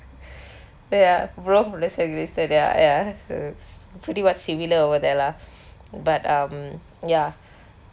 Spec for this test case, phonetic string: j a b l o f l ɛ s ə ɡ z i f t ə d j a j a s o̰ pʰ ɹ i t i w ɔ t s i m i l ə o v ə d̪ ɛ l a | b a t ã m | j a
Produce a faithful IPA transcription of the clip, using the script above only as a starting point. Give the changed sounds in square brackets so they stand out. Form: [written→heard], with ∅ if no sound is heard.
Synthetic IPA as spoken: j a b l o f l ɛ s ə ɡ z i [f→s] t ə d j a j a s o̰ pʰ ɹ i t i w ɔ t s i m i l ə o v ə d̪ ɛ l a | b a t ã m | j a

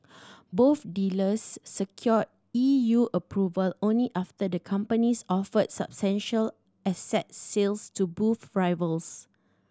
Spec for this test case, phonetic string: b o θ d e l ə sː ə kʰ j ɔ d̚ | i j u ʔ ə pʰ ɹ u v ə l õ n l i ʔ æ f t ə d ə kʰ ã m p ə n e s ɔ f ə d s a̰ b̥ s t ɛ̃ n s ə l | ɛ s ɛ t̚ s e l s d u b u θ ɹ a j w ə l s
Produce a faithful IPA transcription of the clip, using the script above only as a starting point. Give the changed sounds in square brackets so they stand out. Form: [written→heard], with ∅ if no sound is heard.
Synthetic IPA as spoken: b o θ d [e→i] l ə sː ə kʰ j ɔ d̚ | i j u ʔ ə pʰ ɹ u v ə l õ n l i ʔ [æ→a] f t ə d ə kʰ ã m p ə n [e→i] s ɔ f ə d s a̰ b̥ s t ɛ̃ n [s→ʃ] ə l | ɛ s ɛ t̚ s e l s [d→t] u b u [θ→f] ɹ a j [w→v] ə l s

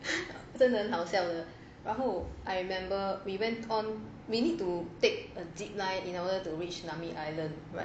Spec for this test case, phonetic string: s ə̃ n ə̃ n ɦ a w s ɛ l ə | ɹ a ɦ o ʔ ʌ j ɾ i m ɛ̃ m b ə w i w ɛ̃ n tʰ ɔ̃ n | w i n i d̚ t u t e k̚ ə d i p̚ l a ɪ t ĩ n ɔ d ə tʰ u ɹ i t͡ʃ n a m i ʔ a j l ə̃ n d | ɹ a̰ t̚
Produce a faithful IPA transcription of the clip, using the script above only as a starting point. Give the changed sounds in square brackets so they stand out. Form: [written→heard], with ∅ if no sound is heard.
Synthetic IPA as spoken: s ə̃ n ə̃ n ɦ a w s ɛ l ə | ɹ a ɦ o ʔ [ʌ→a] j [ɾ→ɹ] i m ɛ̃ m b ə w i w ɛ̃ n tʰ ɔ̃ n | w i n i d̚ t u t e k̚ ə d i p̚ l a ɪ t ĩ n ɔ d ə [tʰ→t] u ɹ i t͡ʃ n a m i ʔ a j l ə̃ n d | ɹ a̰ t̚

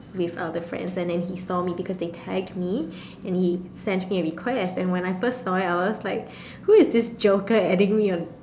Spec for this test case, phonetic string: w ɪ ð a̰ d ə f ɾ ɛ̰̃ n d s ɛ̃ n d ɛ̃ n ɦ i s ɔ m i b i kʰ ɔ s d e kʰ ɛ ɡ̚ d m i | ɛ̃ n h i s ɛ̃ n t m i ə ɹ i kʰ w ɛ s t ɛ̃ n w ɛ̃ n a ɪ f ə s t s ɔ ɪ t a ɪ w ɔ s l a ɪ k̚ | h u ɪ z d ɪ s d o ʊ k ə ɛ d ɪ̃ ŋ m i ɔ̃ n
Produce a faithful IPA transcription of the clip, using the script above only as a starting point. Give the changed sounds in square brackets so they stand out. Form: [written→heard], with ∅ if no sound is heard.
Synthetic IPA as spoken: w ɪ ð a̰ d ə f [ɾ→ɹ] ɛ̰̃ n d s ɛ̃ n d ɛ̃ n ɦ i s ɔ m i b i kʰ ɔ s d e [kʰ→tʰ] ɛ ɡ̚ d m i | ɛ̃ n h i s ɛ̃ n t m i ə ɹ i kʰ w ɛ s t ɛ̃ n w ɛ̃ n a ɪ f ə s t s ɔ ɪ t a ɪ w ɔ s l a ɪ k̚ | h u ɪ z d ɪ s [d→d͡ʒ] o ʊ k ə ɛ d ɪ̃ ŋ m i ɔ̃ n

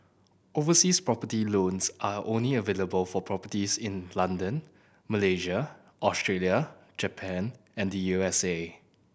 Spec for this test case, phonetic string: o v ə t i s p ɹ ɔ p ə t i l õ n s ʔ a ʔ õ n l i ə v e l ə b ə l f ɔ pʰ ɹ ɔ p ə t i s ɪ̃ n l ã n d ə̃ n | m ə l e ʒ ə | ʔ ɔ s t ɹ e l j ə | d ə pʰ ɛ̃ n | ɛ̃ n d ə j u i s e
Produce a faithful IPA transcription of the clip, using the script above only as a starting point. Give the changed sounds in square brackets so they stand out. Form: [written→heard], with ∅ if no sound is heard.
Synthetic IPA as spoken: o v ə [t→s] i s p ɹ ɔ p ə t i l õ n s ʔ a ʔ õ n l i ə v e l ə b ə l f ɔ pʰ ɹ ɔ p ə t i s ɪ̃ n l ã n d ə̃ n | m ə l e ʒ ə | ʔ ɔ s t ɹ e l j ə | [d→d͡ʒ] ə pʰ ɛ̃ n | ɛ̃ n d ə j u [i→ɛ] s e

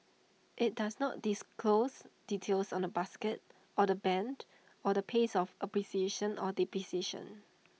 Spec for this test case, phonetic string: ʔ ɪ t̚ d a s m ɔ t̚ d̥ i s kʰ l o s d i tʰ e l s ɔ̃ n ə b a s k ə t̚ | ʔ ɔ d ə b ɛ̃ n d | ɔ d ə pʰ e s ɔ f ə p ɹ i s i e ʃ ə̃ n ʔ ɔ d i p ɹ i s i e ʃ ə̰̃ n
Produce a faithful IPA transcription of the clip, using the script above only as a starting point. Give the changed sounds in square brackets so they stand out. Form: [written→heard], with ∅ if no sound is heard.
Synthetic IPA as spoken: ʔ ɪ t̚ d a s [m→n] ɔ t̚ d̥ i s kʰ l o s d i tʰ e l s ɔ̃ n ə b a s k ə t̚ | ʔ ɔ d ə b ɛ̃ n d | ɔ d ə pʰ e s ɔ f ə p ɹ i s i e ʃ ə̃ n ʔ ɔ d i p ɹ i s i e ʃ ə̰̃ n

